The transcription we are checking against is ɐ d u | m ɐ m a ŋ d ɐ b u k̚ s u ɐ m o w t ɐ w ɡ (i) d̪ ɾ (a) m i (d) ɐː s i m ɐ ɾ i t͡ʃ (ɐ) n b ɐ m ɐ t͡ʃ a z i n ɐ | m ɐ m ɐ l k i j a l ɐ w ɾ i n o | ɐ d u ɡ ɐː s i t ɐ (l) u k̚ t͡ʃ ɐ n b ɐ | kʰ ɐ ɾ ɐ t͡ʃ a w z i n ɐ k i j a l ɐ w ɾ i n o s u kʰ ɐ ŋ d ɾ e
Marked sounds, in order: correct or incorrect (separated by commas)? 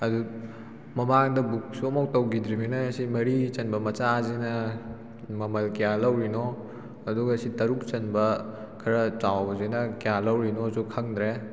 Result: correct, incorrect, incorrect, correct, incorrect